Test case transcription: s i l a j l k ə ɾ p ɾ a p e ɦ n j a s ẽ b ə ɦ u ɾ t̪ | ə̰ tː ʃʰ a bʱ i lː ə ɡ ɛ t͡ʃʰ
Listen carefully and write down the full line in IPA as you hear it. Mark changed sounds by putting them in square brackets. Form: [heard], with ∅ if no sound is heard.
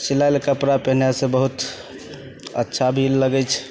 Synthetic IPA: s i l a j l k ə [∅] p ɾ a p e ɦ n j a s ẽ b ə ɦ u [∅] t̪ | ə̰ tː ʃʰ a bʱ i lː ə ɡ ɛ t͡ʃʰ